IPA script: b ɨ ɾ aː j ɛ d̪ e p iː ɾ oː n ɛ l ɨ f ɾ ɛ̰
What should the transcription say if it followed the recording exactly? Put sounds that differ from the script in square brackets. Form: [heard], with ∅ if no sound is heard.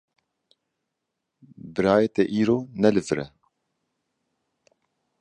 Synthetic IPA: b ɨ ɾ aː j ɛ [t̪] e [ʔ] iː ɾ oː n ɛ l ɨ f ɾ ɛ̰